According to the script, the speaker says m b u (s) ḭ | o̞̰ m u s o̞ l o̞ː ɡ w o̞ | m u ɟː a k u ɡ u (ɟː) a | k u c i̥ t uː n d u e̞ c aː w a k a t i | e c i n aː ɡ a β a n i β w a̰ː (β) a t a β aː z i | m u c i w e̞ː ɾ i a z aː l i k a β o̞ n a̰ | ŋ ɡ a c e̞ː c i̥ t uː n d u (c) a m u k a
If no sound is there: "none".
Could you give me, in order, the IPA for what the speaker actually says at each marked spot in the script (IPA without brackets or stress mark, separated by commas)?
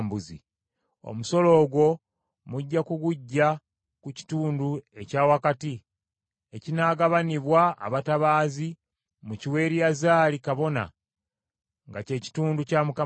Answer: z, ɟː, β, c